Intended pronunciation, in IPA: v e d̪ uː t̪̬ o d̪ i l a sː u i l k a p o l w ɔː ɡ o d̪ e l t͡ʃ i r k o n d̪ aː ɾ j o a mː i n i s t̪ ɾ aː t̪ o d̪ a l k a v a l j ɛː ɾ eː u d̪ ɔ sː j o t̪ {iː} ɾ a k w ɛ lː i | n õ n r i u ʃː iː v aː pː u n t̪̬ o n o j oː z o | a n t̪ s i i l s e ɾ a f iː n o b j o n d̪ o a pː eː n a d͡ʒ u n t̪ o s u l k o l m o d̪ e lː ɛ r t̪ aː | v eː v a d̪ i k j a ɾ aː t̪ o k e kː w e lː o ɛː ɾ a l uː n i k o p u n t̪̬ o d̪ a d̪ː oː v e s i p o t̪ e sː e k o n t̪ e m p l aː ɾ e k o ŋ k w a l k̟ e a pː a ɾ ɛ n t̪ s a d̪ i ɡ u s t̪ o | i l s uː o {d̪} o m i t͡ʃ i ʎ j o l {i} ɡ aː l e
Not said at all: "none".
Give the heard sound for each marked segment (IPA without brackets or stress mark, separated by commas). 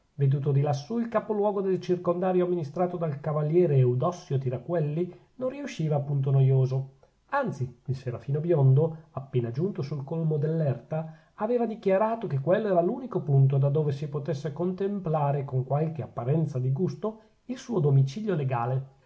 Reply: i, d̪, e